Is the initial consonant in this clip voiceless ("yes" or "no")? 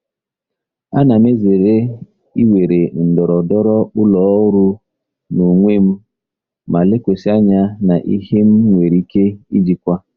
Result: no